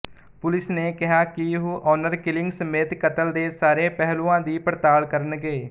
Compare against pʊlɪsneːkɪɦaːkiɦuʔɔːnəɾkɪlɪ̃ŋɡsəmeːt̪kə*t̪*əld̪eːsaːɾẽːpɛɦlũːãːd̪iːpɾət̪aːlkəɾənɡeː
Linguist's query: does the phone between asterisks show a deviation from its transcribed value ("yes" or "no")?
no